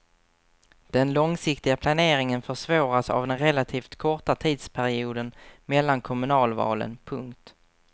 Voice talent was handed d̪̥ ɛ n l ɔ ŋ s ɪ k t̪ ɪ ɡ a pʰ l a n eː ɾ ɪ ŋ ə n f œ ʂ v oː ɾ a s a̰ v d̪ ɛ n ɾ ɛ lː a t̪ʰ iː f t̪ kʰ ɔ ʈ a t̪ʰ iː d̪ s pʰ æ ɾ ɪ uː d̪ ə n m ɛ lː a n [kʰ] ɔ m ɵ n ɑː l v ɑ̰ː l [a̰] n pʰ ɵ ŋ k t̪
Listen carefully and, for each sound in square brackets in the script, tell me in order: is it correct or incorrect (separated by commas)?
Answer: correct, incorrect